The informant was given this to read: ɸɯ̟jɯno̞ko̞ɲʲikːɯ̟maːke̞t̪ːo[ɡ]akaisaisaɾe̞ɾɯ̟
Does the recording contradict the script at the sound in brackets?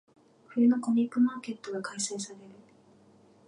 no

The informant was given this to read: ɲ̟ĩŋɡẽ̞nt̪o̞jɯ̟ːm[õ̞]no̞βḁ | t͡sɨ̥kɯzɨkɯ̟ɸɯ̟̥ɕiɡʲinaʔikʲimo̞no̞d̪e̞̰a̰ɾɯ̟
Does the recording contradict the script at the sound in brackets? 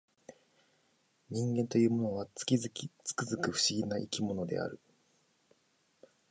yes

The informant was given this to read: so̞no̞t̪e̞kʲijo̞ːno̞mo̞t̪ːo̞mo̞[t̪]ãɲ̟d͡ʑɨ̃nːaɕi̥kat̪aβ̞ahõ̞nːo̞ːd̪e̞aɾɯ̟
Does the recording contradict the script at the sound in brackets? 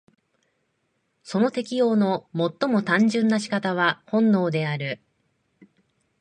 no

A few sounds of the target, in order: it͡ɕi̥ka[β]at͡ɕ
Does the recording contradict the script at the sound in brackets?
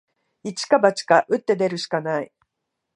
yes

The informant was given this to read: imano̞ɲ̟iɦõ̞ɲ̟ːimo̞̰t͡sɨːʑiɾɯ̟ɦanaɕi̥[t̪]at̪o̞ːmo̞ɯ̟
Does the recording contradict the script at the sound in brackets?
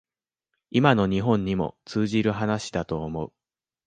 yes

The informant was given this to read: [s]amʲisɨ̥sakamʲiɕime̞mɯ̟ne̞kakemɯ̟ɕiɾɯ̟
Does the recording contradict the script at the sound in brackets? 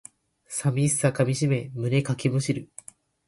no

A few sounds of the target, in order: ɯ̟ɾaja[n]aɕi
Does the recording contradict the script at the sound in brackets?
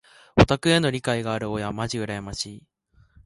yes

